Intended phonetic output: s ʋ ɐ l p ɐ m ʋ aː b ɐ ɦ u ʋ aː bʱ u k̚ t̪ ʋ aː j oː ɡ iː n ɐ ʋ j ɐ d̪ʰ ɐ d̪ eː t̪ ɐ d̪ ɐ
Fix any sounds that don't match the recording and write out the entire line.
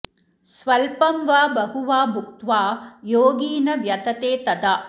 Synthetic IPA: s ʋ ɐ l p ɐ m ʋ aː b ɐ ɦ u ʋ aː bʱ u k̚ t̪ ʋ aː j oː ɡ iː n ɐ ʋ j ɐ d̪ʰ ɐ t̪ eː t̪ ɐ d̪ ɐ